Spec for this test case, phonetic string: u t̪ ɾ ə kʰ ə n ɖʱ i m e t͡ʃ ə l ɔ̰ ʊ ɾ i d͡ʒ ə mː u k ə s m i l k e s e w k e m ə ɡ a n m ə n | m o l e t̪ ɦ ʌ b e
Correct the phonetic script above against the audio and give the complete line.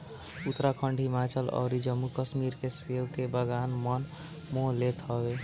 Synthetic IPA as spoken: u t̪ ɾ a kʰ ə ɳ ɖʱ i m a t͡ʃ ə l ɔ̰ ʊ ɾ i d͡ʒ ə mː u k ə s m i ɾ k e s e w k e b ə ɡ a n m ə n | m o l e t̪ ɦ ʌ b e